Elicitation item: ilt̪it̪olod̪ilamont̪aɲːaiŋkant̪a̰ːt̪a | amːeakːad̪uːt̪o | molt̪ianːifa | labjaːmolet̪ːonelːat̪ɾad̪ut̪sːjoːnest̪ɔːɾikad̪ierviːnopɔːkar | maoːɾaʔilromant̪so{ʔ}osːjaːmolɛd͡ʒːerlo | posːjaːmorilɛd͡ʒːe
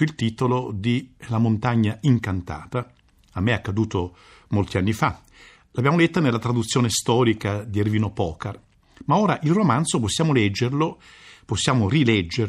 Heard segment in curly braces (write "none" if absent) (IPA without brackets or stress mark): p